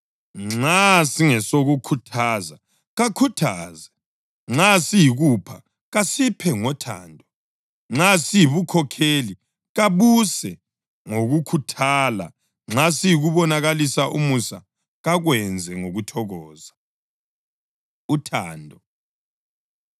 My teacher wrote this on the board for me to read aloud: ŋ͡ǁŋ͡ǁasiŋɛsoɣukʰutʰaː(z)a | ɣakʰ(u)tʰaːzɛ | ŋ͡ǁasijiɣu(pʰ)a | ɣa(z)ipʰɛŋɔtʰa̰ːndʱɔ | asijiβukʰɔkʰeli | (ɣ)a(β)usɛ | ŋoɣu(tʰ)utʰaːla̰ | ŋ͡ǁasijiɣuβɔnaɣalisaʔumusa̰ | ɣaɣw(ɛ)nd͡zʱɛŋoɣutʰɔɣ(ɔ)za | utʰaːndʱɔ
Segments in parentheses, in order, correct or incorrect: correct, correct, correct, incorrect: s, correct, correct, incorrect: kʰ, correct, incorrect: ɔː

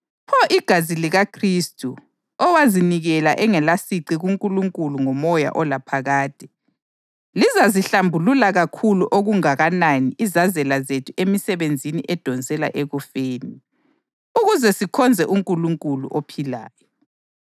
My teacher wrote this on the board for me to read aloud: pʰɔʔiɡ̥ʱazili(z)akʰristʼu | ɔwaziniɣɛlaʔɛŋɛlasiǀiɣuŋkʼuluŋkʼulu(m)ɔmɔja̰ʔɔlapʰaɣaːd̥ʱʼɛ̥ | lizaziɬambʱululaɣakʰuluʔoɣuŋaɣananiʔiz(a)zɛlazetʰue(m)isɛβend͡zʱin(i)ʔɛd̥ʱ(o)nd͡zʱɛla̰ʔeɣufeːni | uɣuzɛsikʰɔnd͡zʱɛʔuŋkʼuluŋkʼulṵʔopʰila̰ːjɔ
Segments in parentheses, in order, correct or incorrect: incorrect: ɣ, incorrect: ŋ, correct, correct, correct, incorrect: ɔ

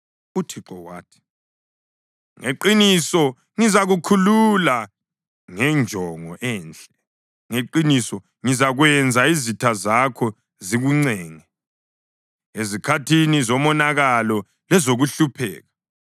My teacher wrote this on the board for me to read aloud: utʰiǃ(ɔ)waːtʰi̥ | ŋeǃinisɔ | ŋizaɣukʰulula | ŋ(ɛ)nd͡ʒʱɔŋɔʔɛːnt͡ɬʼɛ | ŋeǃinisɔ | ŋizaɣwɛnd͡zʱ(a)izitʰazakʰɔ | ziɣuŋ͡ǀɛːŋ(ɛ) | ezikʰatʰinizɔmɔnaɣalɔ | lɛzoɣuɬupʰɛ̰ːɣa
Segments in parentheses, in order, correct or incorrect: correct, correct, correct, correct

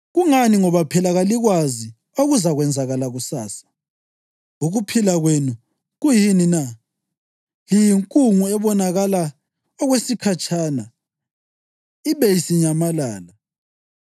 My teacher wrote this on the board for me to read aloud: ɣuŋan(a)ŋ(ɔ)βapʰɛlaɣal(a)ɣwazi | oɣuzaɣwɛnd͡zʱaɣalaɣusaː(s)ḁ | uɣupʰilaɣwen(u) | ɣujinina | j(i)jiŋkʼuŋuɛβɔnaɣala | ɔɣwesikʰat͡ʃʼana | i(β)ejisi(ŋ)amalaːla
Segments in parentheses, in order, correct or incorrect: incorrect: i, correct, incorrect: i, correct, correct, correct, correct, incorrect: ɲ

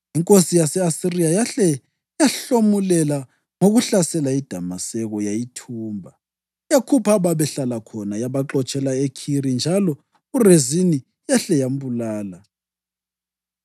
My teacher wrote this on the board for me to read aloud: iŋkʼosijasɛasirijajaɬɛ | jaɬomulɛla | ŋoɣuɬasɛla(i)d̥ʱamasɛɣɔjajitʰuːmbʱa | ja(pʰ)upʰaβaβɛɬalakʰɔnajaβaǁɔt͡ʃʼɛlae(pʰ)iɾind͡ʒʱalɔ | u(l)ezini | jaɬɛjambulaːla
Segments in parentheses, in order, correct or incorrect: correct, incorrect: kʰ, incorrect: kʰ, incorrect: r

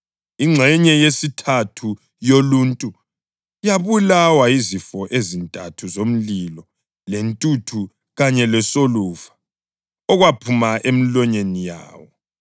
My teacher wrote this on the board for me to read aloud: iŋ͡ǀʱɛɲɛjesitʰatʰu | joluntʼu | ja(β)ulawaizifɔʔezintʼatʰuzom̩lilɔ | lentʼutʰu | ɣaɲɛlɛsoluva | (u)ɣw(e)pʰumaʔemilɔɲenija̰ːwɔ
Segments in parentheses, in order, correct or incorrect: correct, incorrect: ɔ, incorrect: a

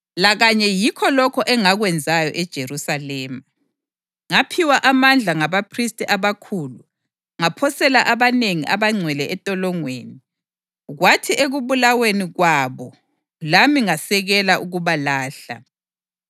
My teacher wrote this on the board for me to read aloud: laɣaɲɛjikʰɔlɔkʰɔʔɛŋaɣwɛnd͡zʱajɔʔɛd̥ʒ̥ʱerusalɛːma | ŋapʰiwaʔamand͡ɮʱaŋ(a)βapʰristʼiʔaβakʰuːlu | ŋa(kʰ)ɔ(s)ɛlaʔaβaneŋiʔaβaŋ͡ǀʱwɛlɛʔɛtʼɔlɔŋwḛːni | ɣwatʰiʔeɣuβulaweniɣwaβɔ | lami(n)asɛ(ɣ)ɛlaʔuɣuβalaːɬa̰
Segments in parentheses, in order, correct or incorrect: correct, incorrect: pʰ, correct, incorrect: ŋ, correct

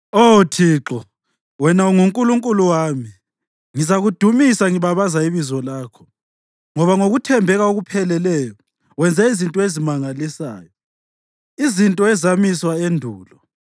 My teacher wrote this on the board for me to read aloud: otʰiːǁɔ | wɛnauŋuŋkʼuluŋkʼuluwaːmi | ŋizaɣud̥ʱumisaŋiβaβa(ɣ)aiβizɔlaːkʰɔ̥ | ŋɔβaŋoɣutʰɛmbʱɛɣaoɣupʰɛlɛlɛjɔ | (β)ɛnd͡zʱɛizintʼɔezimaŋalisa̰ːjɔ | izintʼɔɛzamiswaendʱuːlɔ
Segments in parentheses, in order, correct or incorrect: incorrect: z, incorrect: w

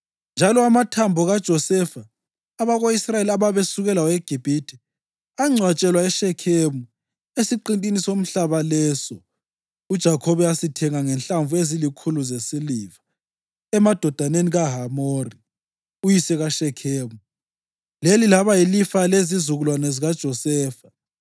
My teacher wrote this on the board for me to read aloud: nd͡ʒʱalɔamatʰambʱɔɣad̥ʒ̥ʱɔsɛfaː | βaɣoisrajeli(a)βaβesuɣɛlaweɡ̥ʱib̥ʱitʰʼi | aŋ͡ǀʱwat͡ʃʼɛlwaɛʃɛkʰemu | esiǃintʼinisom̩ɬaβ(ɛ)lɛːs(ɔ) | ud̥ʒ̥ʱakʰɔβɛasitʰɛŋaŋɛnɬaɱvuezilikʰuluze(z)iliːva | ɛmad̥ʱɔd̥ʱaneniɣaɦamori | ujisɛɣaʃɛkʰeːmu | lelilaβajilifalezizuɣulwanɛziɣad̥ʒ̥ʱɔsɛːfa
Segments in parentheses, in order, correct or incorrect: correct, incorrect: a, correct, incorrect: s

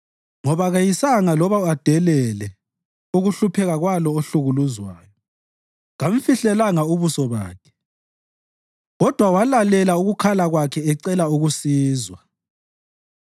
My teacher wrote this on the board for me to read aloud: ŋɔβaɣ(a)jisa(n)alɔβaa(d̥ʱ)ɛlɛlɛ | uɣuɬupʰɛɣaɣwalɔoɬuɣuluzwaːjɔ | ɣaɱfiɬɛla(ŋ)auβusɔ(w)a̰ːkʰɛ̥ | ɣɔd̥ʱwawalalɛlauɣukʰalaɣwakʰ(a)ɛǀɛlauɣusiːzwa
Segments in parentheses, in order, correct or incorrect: correct, incorrect: ŋ, correct, correct, incorrect: β, incorrect: ɛ

